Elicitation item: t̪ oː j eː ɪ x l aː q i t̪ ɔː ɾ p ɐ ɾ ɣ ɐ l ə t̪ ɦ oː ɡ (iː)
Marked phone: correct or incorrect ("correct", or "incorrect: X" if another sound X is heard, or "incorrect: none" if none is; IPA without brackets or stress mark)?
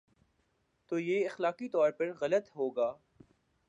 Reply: incorrect: aː